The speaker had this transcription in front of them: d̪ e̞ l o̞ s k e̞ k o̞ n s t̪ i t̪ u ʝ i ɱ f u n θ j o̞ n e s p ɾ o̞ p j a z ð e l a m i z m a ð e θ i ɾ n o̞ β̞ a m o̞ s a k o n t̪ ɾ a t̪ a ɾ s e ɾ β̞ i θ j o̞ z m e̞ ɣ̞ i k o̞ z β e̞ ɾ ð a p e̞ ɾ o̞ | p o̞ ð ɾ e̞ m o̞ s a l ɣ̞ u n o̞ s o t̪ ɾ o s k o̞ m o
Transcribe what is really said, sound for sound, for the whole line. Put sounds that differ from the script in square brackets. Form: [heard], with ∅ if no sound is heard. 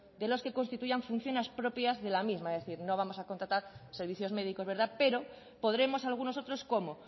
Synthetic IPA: d̪ e̞ l o̞ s k e̞ k o̞ n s t̪ i t̪ u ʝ [a] ɱ f u n θ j o̞ n e s p ɾ o̞ p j a z ð e l a m i z m a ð e θ i ɾ n o̞ β̞ a m o̞ s a k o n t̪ ɾ a t̪ a ɾ s e ɾ β̞ i θ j o̞ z m e̞ [ð̞] i k o̞ z β e̞ ɾ ð a p e̞ ɾ o̞ | p o̞ ð ɾ e̞ m o̞ s a l ɣ̞ u n o̞ s o t̪ ɾ o s k o̞ m o